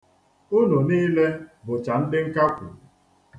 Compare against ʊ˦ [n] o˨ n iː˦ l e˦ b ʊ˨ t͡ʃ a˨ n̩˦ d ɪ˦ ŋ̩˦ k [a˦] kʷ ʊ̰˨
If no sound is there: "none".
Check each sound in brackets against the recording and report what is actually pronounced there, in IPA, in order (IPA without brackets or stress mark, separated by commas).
n, a˦